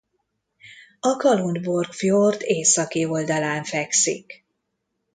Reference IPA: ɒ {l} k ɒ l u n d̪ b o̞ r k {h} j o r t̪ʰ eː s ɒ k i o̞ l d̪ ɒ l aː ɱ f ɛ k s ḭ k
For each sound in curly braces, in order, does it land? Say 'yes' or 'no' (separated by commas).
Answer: no, no